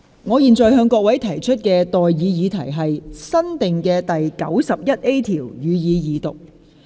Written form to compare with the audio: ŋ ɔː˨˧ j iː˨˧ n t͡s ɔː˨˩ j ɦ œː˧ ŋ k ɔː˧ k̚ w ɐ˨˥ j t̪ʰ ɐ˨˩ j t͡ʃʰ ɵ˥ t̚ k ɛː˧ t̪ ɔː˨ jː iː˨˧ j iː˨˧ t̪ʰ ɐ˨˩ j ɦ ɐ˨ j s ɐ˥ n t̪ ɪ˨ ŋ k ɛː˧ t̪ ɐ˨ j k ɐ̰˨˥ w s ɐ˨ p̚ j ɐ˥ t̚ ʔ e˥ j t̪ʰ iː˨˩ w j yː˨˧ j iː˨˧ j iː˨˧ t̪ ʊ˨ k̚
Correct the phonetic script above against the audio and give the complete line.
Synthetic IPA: ŋ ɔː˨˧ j iː˨˧ n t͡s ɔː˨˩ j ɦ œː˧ ŋ k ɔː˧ k̚ w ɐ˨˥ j t̪ʰ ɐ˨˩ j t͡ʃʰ ɵ˥ t̚ k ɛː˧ t̪ ɔː˨ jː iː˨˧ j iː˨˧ t̪ʰ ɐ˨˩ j ɦ ɐ˨ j s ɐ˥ n t̪ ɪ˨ ŋ k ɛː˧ t̪ ɐ˨ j k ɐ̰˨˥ w s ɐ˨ p̚ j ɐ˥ t̚ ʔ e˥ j t̪ʰ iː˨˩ w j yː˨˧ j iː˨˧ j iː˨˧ t̪ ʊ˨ k̚

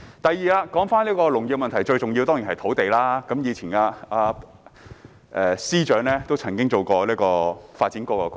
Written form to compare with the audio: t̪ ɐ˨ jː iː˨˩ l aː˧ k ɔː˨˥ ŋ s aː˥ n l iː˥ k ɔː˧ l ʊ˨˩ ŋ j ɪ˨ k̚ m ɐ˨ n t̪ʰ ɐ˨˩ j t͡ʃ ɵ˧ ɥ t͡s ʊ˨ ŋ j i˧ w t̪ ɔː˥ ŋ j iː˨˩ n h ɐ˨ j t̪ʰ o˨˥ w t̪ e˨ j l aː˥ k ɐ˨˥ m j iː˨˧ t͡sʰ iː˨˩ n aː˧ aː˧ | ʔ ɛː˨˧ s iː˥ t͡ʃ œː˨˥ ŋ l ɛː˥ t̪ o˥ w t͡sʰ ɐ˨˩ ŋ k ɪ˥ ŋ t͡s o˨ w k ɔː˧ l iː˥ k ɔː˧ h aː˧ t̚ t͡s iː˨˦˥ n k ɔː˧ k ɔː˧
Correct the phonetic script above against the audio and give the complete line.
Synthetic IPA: t̪ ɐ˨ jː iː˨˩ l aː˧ k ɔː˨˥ ŋ f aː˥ n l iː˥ k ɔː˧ l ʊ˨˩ ŋ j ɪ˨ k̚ m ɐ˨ n t̪ʰ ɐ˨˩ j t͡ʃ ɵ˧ ɥ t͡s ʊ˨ ŋ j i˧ w t̪ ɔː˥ ŋ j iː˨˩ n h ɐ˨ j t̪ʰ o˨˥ w t̪ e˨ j l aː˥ k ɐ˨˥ m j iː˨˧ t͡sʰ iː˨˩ n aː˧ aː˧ | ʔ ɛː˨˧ s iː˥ t͡ʃ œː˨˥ ŋ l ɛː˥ t̪ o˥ w t͡sʰ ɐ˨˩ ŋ k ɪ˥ ŋ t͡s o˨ w k ɔː˧ l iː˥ k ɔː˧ f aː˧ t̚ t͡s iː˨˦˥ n k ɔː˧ k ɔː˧

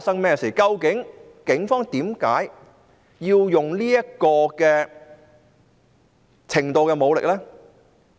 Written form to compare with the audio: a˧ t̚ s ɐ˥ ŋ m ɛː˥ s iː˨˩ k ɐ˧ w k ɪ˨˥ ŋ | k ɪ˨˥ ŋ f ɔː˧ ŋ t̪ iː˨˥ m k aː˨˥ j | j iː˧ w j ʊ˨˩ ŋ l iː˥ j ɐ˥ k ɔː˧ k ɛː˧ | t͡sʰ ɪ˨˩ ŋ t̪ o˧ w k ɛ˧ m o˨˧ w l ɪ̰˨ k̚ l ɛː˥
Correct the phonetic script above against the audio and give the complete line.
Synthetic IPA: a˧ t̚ s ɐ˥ ŋ m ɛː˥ s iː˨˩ k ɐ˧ w k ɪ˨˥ ŋ | k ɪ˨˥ ŋ f ɔː˥ ŋ t̪ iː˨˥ m k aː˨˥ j | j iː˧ w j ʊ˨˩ ŋ l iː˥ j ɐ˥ k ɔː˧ k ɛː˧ | t͡sʰ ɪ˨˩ ŋ t̪ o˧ w k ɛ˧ m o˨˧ w l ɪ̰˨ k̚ l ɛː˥

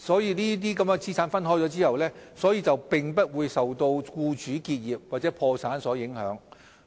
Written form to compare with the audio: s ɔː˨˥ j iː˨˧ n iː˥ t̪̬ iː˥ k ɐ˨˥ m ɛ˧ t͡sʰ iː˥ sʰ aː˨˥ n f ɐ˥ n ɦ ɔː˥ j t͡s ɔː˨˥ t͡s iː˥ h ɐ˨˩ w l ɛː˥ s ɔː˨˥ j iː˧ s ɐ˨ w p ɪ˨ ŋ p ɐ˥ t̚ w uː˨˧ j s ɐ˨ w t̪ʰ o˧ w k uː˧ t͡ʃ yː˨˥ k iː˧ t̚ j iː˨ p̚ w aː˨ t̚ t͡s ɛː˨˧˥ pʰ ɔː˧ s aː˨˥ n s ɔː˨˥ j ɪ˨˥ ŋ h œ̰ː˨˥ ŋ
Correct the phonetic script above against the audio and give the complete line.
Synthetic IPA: s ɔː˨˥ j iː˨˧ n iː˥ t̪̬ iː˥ k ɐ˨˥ m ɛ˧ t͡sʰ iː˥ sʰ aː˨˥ n f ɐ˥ n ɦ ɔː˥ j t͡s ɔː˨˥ t͡s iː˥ h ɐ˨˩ w l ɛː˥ s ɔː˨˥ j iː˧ t͡s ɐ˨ w p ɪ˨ ŋ p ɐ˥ t̚ w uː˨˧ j s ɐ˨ w t̪ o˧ w k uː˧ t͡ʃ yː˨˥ k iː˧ t̚ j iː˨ p̚ w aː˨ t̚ t͡s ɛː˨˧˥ pʰ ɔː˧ s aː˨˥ n s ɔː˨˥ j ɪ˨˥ ŋ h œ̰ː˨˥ ŋ

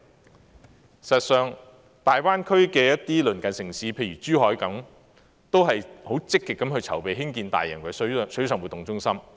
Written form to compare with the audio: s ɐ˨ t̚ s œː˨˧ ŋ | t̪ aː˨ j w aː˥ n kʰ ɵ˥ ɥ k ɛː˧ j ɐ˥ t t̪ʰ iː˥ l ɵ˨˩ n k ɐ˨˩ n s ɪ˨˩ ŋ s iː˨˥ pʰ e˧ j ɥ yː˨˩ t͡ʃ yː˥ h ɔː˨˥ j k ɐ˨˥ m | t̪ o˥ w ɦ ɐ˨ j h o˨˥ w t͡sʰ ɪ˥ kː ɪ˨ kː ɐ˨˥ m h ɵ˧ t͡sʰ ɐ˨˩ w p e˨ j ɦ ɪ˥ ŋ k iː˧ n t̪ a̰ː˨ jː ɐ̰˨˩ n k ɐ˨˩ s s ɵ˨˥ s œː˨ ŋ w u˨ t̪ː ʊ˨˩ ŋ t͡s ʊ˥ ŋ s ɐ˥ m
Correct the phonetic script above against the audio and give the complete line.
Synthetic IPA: s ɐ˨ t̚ s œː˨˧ ŋ | t̪ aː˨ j w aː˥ n kʰ ɵ˥ ɥ k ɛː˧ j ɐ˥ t t̪ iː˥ l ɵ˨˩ n k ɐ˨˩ n s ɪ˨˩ ŋ s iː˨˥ pʰ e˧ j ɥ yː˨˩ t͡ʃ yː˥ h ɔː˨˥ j k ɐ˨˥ m | t̪ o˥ w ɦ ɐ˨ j h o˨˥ w t͡s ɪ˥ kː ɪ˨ kː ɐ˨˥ m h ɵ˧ t͡sʰ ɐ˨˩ w p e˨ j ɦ ɪ˥ ŋ k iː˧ n t̪ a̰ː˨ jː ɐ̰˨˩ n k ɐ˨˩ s s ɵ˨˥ s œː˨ ŋ w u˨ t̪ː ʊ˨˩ ŋ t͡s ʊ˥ ŋ s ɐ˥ m

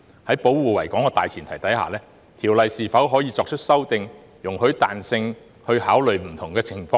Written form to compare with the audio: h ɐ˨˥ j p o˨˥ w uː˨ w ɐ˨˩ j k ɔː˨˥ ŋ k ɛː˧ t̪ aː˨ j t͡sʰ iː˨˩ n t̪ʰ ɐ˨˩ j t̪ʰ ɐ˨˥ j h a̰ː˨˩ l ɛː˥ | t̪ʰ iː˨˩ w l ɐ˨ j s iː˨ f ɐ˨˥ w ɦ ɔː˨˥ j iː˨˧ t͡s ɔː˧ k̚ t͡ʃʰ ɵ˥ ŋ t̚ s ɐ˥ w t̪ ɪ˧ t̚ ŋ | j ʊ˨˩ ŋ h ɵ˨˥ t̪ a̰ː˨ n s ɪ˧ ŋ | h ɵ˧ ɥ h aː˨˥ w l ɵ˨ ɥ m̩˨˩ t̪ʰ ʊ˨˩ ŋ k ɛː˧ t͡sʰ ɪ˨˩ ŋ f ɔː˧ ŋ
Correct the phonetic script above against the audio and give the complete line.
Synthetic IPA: h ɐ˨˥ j p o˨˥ w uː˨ w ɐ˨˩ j k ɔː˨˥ ŋ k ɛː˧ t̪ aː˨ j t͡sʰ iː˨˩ n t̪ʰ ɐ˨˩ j t̪ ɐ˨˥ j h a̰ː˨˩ l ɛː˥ | t̪ʰ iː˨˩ w l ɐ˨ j s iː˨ f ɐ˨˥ w ɦ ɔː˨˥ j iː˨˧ t͡s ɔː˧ k̚ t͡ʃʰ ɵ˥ t̚ s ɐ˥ w t̪ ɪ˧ ŋ | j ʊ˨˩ ŋ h ɵ˨˥ t̪ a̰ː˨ n s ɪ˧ ŋ | h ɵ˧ ɥ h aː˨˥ w l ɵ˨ ɥ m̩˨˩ t̪ʰ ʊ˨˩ ŋ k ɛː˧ t͡sʰ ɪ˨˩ ŋ f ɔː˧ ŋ

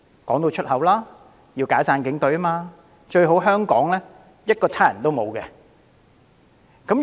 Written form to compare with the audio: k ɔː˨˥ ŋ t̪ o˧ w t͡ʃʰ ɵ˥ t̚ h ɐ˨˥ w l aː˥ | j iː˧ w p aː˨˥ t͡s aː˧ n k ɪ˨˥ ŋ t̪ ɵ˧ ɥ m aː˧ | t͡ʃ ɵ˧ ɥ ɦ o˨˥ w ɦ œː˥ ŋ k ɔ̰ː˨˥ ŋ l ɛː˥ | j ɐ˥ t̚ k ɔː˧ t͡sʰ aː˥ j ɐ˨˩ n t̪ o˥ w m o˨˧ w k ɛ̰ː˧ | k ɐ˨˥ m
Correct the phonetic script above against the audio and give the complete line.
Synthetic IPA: k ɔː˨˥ ŋ t̪ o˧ w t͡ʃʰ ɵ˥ t̚ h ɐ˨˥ w l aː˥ | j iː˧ w k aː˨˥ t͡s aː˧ n k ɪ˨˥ ŋ t̪ ɵ˨˥ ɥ m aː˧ | t͡ʃ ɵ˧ ɥ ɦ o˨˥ w ɦ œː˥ ŋ k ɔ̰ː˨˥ ŋ l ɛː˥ | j ɐ˥ t̚ k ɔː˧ t͡sʰ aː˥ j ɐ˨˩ n t̪ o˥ w m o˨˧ w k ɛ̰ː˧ | k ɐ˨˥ m

